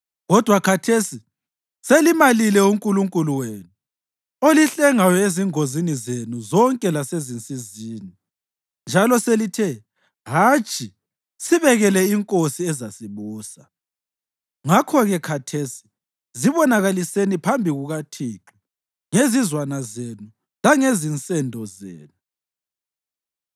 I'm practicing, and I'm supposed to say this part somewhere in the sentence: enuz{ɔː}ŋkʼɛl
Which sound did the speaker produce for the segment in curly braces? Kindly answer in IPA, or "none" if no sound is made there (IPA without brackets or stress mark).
ɔ